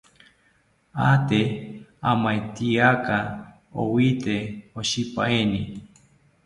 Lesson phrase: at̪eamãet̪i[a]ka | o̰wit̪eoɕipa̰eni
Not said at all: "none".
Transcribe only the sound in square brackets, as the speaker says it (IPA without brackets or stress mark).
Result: a